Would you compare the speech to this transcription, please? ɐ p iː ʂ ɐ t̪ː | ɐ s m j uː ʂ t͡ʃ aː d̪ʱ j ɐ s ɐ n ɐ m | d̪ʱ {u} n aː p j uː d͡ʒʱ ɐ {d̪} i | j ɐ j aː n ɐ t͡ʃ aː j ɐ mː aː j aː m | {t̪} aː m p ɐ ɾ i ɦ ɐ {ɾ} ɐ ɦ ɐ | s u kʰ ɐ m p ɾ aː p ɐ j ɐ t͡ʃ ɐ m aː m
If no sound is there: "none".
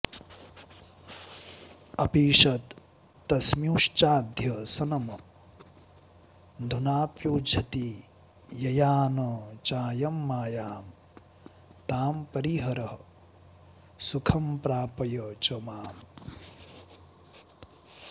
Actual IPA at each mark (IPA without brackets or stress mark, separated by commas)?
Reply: u, t̪, t̪, ɾ